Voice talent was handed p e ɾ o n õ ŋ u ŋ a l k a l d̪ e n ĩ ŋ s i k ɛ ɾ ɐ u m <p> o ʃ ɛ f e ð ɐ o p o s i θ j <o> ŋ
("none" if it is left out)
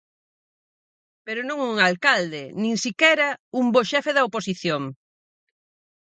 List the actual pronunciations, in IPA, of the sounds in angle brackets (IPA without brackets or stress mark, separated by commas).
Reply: b, o